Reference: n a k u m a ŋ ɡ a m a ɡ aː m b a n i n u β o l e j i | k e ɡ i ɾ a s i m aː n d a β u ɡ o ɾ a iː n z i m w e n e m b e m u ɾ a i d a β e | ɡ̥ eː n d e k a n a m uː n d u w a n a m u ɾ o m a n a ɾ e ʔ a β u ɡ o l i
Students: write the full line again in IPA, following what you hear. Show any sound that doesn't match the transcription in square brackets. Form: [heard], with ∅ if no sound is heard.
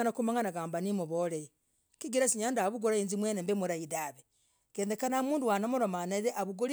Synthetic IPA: n a k u m a ŋ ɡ a [n] a ɡ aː m b a n i [m] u β o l e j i | k [i] ɡ i ɾ a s i [ɲ] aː n d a β u ɡ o ɾ a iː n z i m w e n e m b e m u ɾ a i d a β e | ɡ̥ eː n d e k a n a m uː n d u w a n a m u ɾ o m a n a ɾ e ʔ a β u ɡ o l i